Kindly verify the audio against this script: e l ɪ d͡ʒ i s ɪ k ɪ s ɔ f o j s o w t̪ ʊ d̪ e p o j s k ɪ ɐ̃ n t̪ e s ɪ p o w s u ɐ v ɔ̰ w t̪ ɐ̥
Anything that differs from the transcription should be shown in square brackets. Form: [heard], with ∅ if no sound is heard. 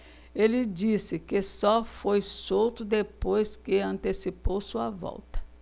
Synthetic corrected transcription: e l ɪ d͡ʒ i s ɪ k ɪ s ɔ f o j s o w t̪ ʊ d̪ e p o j s k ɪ ɐ̃ n t̪ e s [i] p o w s u ɐ v ɔ̰ w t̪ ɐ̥